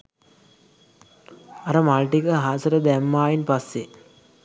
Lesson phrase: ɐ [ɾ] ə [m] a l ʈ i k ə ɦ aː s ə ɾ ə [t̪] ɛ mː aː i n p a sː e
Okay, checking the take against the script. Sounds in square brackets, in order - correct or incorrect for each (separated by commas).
correct, correct, incorrect